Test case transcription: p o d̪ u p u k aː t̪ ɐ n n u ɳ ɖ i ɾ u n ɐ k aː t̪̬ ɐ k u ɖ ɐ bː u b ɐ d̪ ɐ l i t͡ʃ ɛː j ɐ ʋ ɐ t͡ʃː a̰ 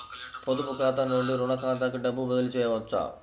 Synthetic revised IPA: p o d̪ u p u k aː t̪ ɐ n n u ɳ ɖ i ɾ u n ɐ k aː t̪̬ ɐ k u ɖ ɐ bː u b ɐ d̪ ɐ l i t͡ʃ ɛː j ɐ ʋ ɐ t͡ʃː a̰